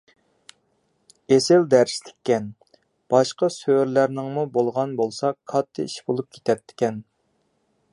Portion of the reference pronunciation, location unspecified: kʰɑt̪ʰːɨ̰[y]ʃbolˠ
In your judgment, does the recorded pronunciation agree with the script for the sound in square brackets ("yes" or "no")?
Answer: no